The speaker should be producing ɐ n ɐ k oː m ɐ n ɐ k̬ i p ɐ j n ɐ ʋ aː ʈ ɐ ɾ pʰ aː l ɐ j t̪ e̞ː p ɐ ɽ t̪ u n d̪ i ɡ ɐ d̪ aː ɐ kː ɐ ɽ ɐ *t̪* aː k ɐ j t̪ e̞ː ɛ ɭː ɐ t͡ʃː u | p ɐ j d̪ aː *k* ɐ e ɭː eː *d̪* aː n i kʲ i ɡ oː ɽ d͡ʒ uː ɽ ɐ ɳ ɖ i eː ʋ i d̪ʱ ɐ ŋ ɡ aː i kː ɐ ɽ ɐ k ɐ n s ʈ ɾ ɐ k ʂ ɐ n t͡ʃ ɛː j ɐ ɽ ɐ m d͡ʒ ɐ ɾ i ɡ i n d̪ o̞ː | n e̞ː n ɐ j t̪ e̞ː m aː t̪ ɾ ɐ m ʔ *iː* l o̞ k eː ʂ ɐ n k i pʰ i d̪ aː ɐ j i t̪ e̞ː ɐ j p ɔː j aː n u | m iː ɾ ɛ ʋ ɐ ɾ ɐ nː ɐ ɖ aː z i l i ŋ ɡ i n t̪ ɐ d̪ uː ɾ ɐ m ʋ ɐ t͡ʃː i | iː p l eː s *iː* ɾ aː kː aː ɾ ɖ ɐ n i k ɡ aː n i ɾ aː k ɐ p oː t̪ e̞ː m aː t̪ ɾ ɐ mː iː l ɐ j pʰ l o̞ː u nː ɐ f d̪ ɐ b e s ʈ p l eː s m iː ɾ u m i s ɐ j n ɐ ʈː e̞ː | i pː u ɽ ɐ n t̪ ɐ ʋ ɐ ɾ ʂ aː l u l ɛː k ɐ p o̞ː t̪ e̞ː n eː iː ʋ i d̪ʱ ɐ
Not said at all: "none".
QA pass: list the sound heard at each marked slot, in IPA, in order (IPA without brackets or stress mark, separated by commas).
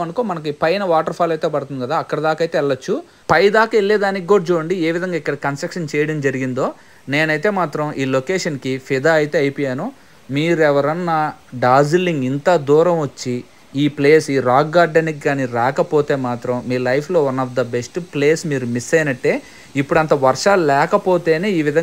d̪, k, d̪, iː, iː